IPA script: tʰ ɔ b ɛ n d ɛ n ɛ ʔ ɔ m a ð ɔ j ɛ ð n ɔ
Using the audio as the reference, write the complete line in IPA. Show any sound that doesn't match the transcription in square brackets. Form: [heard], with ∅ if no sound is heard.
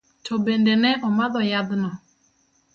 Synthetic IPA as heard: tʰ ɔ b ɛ n d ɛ n ɛ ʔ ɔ m a ð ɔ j [a] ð n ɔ